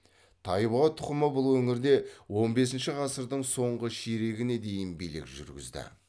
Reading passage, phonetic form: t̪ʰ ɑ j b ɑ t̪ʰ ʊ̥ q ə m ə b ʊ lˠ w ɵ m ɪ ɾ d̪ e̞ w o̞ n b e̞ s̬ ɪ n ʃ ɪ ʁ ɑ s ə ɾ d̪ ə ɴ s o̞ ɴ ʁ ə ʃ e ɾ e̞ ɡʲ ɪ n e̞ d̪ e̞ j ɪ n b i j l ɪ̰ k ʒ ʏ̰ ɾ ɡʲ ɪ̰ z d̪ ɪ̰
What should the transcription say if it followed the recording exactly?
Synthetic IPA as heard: t̪ʰ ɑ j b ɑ t̪ʰ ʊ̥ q ə m ə b ʊ lˠ w ɵ ŋ ɪ ɾ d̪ e̞ w o̞ n b e̞ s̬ ɪ n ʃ ɪ ʁ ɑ s ə ɾ d̪ ə ɴ s o̞ ɴ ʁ ə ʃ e ɾ e̞ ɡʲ ɪ n e̞ d̪ e̞ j ɪ n b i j l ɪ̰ k ʒ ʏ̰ ɾ ɡʲ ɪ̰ z d̪ ɪ̰